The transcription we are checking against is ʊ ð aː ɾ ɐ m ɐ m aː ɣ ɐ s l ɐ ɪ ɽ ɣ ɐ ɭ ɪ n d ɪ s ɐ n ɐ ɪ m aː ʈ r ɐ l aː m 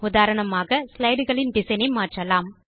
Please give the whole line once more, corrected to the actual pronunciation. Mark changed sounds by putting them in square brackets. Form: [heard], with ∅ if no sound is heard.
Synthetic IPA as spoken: ʊ ð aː ɾ ɐ [ɳ] ɐ m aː ɣ ɐ s l ɐ ɪ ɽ ɣ ɐ ɭ ɪ n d ɪ s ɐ n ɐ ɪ m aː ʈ r ɐ l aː m